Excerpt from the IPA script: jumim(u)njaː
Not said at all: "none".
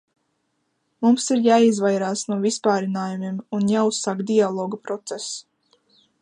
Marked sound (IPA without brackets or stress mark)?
u